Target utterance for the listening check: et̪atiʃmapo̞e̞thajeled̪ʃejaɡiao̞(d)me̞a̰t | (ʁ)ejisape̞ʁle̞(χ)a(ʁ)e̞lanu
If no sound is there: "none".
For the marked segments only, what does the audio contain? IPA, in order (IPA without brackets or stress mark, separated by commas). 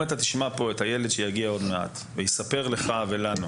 d, v, χ, v